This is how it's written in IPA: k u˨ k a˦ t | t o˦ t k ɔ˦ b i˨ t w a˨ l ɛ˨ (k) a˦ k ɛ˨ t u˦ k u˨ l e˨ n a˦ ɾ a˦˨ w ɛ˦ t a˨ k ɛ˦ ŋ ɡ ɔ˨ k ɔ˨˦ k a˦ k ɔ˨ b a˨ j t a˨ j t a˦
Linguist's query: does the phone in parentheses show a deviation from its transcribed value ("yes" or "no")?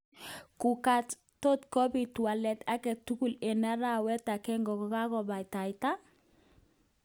yes